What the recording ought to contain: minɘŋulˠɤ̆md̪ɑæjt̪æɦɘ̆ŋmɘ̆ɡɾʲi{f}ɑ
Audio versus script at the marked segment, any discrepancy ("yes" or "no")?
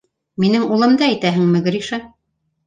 yes